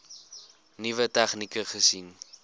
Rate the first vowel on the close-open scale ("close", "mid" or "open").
close